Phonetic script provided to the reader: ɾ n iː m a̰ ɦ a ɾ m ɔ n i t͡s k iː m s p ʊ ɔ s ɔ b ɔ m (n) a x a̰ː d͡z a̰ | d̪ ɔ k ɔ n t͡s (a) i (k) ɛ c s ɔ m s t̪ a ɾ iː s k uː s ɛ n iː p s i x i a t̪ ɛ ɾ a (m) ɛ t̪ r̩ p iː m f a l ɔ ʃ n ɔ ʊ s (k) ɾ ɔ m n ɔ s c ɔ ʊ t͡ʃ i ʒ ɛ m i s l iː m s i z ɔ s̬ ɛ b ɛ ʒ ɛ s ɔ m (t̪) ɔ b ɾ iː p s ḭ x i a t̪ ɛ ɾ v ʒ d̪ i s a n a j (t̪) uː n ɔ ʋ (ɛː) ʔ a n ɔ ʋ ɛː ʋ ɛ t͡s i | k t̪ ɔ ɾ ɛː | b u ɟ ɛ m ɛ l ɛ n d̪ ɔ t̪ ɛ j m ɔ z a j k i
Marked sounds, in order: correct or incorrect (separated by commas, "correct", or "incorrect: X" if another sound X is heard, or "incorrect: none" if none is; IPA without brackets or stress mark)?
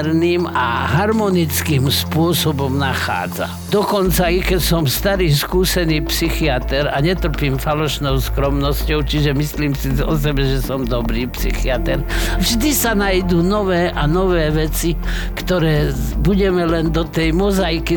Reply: correct, correct, correct, incorrect: ɲ, correct, incorrect: d̪, incorrect: d̪, correct